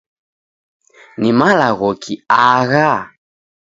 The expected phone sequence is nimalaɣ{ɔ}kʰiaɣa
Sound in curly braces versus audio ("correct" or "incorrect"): correct